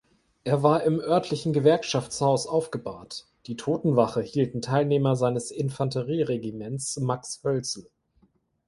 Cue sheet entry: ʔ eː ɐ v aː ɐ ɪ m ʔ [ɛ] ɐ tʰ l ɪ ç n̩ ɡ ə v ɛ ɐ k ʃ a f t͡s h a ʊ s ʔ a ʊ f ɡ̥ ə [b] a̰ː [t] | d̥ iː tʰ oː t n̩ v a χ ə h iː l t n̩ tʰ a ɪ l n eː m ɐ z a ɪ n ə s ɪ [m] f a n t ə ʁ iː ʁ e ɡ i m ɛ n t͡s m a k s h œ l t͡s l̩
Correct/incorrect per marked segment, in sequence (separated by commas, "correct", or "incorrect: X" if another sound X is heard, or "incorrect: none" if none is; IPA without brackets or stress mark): incorrect: œ, correct, correct, incorrect: n